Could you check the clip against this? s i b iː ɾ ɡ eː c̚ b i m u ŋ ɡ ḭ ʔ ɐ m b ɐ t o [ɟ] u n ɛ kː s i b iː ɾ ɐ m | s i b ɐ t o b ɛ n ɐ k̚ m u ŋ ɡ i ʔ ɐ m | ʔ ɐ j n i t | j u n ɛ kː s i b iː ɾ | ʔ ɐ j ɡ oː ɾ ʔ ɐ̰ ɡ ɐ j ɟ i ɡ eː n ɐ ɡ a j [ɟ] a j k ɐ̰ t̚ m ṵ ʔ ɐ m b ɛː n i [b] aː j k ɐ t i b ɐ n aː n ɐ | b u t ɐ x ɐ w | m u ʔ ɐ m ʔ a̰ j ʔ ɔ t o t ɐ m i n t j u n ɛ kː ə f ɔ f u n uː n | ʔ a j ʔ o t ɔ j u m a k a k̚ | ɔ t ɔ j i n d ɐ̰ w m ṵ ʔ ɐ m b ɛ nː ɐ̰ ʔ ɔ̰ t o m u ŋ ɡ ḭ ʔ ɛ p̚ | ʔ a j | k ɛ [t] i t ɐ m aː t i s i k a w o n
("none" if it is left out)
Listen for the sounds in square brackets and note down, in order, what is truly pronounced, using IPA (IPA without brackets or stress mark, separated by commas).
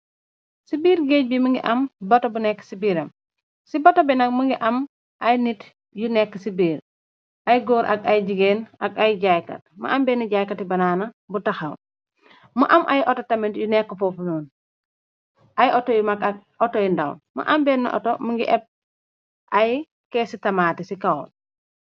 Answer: b, ɟ, ɟ, s